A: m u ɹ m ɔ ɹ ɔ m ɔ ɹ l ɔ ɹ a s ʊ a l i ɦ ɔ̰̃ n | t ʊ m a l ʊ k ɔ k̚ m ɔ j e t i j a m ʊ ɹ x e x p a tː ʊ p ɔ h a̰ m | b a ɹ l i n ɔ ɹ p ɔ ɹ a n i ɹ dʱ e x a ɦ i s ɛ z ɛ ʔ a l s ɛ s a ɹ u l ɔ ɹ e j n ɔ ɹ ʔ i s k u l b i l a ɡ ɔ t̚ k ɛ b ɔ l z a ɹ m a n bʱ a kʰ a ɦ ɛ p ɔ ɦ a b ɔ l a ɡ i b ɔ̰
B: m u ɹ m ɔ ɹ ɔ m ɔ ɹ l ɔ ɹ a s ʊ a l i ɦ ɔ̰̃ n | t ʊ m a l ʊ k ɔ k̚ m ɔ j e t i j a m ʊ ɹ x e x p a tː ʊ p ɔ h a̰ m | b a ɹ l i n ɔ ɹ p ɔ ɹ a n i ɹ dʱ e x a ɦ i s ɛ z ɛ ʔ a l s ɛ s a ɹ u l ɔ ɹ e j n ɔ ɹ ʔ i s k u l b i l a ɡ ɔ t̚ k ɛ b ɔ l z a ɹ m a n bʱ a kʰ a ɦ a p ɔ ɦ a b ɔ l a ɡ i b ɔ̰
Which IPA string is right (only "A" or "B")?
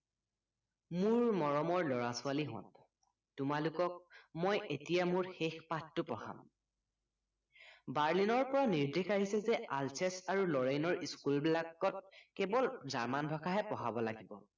A